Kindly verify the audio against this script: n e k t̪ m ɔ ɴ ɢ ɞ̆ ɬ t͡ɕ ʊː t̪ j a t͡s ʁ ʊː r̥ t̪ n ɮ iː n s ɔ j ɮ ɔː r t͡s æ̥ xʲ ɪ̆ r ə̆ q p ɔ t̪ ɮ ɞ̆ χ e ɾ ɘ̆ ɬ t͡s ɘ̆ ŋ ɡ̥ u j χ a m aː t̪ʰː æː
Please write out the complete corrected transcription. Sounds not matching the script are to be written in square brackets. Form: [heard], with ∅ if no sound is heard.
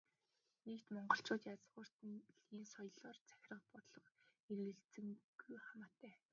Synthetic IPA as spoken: n e k t̪ m ɔ ɴ ɢ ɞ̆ ɬ t͡ɕ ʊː t̪ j a t͡s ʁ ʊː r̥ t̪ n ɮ iː n s ɔ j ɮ ɔː r t͡s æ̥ xʲ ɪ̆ r ə̆ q p ɔ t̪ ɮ ɞ̆ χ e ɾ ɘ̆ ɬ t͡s ɘ̆ ŋ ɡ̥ u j χ a m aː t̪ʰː æː